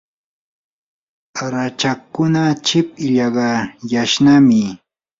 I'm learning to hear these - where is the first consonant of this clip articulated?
tongue tip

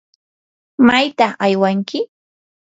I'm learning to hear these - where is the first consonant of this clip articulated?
lips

